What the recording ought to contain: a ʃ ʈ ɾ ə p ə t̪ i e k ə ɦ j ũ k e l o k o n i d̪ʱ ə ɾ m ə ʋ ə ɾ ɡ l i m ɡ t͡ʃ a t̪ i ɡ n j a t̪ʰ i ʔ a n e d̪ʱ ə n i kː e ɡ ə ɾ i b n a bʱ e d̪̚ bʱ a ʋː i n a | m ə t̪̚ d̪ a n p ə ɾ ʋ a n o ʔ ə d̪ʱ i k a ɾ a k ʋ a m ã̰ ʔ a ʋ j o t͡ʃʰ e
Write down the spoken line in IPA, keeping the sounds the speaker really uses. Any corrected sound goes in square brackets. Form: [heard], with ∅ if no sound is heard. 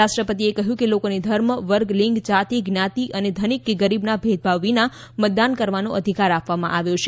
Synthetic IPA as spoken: a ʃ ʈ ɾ ə p ə t̪ i e k ə ɦ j ũ k e l o k o n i d̪ʱ ə ɾ m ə ʋ ə ɾ ɡ l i [ŋ] ɡ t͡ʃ a t̪ i ɡ n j a [t̪] i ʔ [ə] n e d̪ʱ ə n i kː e ɡ ə ɾ i b n a bʱ e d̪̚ bʱ a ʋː i n a | m ə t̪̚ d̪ a n [k] ə ɾ ʋ a n o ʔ ə d̪ʱ i k a ɾ a [p] ʋ a m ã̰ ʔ a ʋ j o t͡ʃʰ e